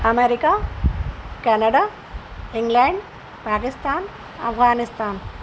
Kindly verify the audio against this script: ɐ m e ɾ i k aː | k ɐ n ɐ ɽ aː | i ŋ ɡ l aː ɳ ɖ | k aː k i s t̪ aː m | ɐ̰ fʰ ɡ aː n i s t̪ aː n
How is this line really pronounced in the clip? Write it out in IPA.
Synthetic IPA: ɐ m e ɾ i k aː | k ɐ n ɐ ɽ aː | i ŋ ɡ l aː ɳ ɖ | p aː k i s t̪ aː n | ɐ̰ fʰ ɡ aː n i s t̪ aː n